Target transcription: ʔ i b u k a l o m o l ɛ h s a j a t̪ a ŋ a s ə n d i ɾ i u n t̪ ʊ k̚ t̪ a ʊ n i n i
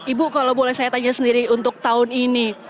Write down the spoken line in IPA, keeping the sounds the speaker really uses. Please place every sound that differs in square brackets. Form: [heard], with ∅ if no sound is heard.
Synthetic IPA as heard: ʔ i b u k a l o [b] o l ɛ h s a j a t̪ a [ɲ] a s ə n d i ɾ i u n t̪ ʊ k̚ t̪ a ʊ n i n i